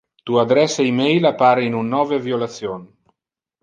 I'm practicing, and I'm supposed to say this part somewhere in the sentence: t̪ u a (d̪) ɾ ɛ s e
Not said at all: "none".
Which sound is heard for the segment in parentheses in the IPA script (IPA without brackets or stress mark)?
d̪